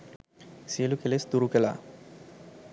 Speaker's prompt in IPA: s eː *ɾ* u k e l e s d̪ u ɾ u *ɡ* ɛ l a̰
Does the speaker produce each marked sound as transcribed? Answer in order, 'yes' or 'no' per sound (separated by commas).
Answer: no, no